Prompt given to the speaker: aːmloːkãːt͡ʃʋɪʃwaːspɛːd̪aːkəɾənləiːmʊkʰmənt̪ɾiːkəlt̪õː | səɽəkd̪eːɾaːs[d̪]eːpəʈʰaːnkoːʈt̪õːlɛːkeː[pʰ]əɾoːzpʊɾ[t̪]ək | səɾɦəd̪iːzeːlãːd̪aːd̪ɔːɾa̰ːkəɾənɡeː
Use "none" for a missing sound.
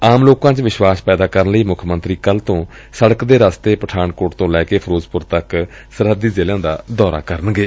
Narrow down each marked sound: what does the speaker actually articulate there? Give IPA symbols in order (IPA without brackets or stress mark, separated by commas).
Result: t̪, pʰ, t̪